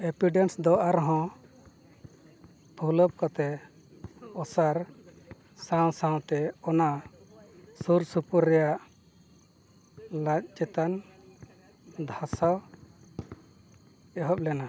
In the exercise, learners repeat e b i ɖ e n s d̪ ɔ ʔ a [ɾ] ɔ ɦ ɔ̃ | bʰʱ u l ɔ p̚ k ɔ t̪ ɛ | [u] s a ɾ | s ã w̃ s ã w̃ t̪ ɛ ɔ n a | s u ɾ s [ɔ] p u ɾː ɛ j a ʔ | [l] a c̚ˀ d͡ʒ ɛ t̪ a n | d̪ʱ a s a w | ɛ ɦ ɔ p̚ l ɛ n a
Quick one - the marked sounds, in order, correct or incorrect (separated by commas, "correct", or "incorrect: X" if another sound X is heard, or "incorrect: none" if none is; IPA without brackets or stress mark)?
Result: correct, incorrect: ɔ, incorrect: u, correct